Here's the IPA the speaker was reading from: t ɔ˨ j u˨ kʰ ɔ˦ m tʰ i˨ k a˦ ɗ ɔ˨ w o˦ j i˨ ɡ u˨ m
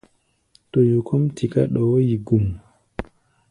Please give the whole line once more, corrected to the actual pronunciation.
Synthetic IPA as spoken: t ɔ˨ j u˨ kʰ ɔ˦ m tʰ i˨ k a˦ ɗ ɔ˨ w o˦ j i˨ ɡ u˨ m